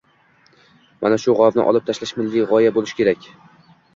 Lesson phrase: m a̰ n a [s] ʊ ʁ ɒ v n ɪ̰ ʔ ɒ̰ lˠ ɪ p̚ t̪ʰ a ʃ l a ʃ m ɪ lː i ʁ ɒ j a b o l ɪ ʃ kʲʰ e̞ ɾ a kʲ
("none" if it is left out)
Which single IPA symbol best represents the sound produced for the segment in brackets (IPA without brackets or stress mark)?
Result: ʃ